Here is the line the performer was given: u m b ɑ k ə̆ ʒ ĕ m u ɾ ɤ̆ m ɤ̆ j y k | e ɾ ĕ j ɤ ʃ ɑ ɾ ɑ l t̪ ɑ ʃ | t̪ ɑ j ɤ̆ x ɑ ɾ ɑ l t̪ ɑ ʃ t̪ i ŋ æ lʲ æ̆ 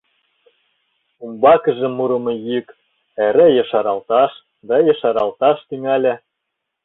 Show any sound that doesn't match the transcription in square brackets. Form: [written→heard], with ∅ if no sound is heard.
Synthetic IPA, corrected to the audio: u m b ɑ k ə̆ ʒ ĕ m u ɾ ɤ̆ m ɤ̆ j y k | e ɾ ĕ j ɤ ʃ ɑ ɾ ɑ l t̪ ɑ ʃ | [t̪→d̪] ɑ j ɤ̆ [x→ʃ] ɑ ɾ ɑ l t̪ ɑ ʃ t̪ [i→y] ŋ æ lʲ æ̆